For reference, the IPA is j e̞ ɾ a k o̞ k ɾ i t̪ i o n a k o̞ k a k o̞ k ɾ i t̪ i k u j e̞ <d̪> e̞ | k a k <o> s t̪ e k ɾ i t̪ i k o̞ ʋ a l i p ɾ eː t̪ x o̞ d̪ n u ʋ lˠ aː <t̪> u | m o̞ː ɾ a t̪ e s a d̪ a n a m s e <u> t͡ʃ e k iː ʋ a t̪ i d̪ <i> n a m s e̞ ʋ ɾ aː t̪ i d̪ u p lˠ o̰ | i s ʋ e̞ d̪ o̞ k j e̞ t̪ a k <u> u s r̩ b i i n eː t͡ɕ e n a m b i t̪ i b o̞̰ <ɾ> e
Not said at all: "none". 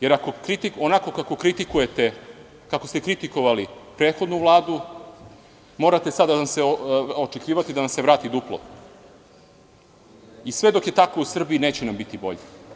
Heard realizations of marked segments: t̪, o, d̪, o, a, o, ʎ

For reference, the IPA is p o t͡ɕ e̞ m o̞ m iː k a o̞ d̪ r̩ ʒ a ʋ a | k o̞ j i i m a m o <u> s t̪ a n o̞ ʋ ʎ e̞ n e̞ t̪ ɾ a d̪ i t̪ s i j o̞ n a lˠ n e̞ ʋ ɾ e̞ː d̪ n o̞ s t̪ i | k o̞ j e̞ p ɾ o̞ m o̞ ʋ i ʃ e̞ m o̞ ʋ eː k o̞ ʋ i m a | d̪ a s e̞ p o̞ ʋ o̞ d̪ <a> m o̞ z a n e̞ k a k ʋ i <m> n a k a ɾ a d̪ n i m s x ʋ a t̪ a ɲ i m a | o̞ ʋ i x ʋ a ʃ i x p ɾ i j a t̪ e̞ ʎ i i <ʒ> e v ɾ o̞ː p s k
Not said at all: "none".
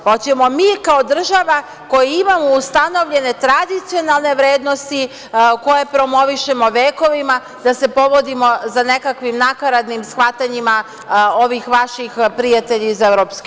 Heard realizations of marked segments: u, i, m, z

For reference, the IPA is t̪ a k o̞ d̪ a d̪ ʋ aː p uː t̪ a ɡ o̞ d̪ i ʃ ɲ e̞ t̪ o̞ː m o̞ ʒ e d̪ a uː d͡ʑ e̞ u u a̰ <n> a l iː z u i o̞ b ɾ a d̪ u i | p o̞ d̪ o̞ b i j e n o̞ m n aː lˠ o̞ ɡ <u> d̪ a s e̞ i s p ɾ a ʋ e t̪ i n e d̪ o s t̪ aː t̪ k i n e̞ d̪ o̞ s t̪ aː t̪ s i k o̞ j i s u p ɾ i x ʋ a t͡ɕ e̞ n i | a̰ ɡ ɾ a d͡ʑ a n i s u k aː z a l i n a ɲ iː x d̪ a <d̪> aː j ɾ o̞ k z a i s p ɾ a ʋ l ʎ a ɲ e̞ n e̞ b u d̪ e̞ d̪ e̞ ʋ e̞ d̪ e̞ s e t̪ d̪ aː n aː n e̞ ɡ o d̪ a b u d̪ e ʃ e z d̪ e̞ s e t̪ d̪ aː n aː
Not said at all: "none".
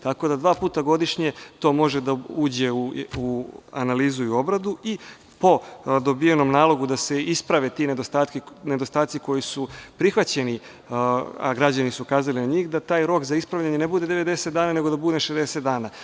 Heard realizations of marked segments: n, u, t̪

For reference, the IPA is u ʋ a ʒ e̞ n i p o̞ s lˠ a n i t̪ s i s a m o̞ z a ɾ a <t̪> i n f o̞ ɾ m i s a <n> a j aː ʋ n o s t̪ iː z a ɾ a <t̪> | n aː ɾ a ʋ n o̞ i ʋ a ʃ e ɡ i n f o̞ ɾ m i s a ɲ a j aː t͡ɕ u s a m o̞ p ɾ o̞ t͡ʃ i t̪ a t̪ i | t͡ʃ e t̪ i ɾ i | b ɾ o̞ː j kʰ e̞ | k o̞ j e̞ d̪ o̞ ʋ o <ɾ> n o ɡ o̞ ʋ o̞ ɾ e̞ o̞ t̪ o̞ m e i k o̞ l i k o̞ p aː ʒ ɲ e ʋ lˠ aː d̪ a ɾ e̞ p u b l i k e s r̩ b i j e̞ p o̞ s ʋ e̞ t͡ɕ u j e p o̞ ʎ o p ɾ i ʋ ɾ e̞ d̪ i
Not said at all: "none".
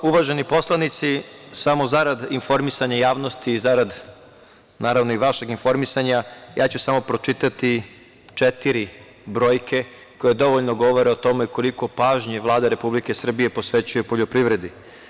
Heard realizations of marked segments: d̪, ɲ, d̪, ʎ

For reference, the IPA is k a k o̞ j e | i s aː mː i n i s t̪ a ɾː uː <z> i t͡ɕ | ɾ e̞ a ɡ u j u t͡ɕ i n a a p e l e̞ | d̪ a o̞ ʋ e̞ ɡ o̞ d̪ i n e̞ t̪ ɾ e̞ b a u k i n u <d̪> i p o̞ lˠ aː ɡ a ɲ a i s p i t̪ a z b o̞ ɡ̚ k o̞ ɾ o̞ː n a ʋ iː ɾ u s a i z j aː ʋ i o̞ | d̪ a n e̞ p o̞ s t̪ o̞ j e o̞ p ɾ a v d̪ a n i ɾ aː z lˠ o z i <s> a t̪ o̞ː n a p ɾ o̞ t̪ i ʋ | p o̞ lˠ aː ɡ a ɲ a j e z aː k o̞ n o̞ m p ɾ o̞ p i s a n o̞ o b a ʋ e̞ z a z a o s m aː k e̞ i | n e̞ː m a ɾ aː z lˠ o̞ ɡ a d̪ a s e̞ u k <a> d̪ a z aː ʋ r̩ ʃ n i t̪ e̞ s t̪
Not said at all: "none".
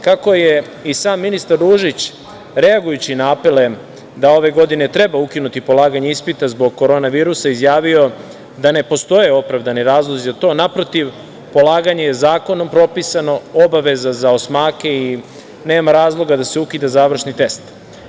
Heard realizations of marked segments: ʒ, t̪, z, i

